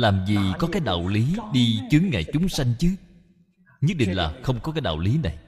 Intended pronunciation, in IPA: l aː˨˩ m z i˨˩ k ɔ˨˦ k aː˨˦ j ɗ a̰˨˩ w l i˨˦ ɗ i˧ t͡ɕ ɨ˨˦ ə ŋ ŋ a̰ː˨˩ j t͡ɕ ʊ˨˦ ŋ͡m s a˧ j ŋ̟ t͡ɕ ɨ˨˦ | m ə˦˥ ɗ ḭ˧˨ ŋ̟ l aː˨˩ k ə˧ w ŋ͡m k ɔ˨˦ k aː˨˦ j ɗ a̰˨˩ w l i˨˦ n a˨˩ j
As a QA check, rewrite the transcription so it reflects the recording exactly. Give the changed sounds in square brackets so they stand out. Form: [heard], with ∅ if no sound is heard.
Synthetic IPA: l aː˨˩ m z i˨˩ k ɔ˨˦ k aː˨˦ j ɗ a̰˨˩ w l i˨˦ ɗ i˧ t͡ɕ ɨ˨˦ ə ŋ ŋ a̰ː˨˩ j t͡ɕ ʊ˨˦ ŋ͡m s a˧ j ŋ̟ t͡ɕ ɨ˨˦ | [ɲ] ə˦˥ ɗ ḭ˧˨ ŋ̟ l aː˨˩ [x] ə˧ w ŋ͡m k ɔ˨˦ k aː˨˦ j ɗ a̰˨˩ w l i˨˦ n a˨˩ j